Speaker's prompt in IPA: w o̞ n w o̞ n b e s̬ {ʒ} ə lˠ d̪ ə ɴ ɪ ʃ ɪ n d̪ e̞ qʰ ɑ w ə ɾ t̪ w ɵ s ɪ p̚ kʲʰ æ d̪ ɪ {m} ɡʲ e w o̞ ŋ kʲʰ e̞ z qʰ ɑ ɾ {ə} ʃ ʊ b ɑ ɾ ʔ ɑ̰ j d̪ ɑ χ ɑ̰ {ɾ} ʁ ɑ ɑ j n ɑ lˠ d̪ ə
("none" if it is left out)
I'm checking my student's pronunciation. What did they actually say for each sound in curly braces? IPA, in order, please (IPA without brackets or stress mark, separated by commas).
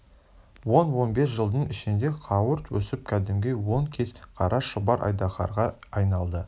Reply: ʒ, m, ɑ, ɾ